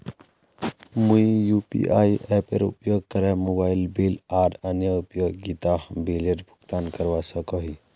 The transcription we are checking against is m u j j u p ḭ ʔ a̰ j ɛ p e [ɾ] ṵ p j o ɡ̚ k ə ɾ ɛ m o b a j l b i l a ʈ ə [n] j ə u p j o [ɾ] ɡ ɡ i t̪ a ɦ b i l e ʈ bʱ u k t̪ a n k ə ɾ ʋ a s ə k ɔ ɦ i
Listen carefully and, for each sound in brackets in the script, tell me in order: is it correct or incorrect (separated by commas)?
correct, correct, incorrect